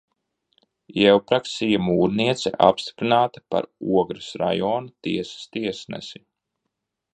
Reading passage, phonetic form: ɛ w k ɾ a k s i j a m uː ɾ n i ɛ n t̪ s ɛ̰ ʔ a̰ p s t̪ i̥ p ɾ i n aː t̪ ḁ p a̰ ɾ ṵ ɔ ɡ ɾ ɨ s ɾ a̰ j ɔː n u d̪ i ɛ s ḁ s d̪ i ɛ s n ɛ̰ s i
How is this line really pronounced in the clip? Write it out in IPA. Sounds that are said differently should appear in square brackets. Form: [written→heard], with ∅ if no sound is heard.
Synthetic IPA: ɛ w [k→p] ɾ a k s i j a m uː ɾ n i ɛ [n→∅] t̪ s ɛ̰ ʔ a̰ p s t̪ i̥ p ɾ i n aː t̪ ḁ p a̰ ɾ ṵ ɔ ɡ ɾ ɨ s ɾ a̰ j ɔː n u [d̪→t̪] i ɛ s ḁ s [d̪→t̪] i ɛ s n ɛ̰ s i

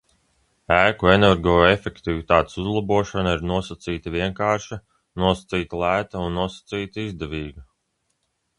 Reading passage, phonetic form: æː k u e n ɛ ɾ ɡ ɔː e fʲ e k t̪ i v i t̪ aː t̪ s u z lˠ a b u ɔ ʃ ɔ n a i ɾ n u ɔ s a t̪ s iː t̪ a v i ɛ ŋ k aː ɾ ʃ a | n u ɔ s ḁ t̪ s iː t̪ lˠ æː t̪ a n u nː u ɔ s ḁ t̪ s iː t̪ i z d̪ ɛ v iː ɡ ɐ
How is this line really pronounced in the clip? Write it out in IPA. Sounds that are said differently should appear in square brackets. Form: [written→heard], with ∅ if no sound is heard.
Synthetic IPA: æː k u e n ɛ ɾ ɡ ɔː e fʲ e k t̪ i v i t̪ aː t̪ s u z lˠ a b u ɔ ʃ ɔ n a i ɾ n u ɔ s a t̪ s iː t̪ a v i ɛ ŋ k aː ɾ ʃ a | n u ɔ s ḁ t̪ s iː t̪ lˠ æː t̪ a [n→∅] u nː u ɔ s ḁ t̪ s iː t̪ i z d̪ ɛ v iː ɡ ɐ

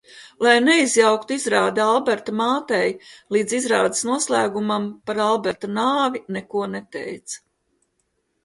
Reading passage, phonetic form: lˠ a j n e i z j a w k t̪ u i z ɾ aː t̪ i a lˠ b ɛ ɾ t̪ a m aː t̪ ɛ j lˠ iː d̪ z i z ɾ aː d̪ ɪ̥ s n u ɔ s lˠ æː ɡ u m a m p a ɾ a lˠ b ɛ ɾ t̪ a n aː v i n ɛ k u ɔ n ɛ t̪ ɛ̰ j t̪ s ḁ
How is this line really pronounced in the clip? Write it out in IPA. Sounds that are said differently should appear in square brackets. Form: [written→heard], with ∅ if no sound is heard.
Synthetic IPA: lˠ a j n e i z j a w k t̪ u i z ɾ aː [t̪→d̪] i a lˠ b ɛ ɾ t̪ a m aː t̪ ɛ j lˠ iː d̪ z i z ɾ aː d̪ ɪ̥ s n u ɔ s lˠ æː ɡ u m a m p a ɾ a lˠ b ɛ ɾ t̪ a n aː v i n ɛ k u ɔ n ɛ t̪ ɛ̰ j t̪ s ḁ

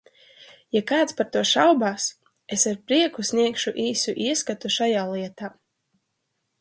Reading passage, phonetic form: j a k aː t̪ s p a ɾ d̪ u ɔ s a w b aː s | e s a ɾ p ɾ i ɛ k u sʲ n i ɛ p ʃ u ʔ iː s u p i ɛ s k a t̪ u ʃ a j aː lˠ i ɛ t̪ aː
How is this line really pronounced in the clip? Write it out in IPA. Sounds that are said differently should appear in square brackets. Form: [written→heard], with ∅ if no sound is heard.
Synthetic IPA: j a k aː t̪ s p a ɾ [d̪→t̪] u ɔ [s→ʃ] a w b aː s | e s a ɾ p ɾ i ɛ k u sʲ n i ɛ [p→k] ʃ u ʔ iː s u [p→ʔ] i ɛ s k a t̪ u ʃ a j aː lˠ i ɛ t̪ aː

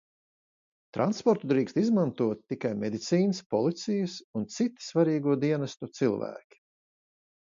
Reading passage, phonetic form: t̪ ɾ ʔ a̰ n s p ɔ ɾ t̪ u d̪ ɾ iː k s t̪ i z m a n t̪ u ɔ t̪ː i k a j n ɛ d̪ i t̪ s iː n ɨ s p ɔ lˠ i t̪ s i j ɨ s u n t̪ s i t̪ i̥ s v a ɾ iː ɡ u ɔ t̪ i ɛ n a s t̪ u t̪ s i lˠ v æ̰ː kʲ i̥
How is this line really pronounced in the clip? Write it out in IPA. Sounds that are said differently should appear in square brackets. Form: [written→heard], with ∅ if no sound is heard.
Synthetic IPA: t̪ ɾ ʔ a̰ n s p ɔ ɾ t̪ u d̪ ɾ iː k s t̪ i z m a n t̪ u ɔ t̪ː i k a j [n→m] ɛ d̪ i t̪ s iː n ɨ s p ɔ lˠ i t̪ s i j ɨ s u n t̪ s i t̪ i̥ s v a ɾ iː ɡ u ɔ [t̪→d̪] i ɛ n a s t̪ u t̪ s i lˠ v æ̰ː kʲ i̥

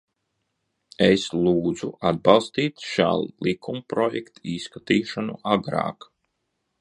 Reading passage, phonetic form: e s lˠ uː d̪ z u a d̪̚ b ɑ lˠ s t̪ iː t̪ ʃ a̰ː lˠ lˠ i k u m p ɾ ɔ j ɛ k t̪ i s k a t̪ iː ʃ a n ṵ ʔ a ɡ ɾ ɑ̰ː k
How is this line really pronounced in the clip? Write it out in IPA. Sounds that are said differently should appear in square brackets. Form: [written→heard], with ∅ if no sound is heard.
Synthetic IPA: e s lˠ uː d̪ z u a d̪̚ b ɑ lˠ s t̪ iː t̪ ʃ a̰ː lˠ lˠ i k u m p ɾ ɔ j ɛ k t̪ i s k a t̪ iː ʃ a n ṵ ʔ a ɡ ɾ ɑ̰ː k

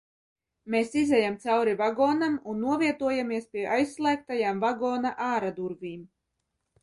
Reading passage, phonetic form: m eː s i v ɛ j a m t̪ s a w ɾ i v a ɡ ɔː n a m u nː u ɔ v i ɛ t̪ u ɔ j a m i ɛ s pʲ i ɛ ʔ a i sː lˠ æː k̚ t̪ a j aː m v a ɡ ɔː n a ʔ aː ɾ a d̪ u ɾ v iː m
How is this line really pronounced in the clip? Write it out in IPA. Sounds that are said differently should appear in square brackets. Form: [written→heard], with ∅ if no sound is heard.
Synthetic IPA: m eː s i [v→z] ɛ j a m t̪ s a w ɾ i v a ɡ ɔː n a m u nː u ɔ v i ɛ t̪ u ɔ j a m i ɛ s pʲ i ɛ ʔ a [i→j] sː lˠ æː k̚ t̪ a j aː m v a ɡ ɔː n a ʔ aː ɾ a d̪ u ɾ v iː m

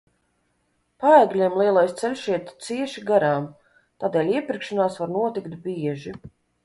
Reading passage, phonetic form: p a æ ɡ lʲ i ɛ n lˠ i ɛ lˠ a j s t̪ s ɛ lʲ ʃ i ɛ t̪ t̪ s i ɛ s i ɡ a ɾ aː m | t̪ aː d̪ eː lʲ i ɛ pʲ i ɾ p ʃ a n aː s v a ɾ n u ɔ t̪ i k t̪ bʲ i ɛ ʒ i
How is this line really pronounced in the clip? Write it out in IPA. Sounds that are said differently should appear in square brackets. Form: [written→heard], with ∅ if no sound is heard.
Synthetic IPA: p a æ ɡ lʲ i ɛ [n→m] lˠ i ɛ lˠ a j s t̪ s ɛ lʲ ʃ i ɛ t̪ t̪ s i ɛ [s→ʃ] i ɡ a ɾ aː m | t̪ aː d̪ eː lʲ i ɛ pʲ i ɾ [p→k] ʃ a n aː s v a ɾ n u ɔ t̪ i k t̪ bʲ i ɛ ʒ i

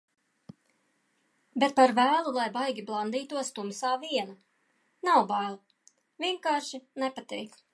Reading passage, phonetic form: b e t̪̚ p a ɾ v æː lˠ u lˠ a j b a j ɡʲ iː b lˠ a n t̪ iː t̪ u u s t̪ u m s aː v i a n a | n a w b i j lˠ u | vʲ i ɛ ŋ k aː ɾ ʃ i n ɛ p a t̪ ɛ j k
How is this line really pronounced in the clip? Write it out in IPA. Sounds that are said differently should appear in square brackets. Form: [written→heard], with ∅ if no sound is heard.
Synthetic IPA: b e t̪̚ p a ɾ v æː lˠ u lˠ a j b a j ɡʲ [iː→i] b lˠ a n [t̪→d̪] iː t̪ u [u→ɔ] s t̪ u m s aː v i [a→ɛ] n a | n a w b [i→a] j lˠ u | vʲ i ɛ ŋ k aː ɾ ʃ i n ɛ p a t̪ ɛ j k

